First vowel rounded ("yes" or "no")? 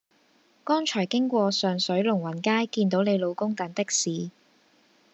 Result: yes